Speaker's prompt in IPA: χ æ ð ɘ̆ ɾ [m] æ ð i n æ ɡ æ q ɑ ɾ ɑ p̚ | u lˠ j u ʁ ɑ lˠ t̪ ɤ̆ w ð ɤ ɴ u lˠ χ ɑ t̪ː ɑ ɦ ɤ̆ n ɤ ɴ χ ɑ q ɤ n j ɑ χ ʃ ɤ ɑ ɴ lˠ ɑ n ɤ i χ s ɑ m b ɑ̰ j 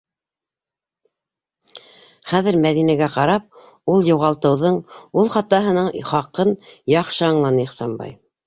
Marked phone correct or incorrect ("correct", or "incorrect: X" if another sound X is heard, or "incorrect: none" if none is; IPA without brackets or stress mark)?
correct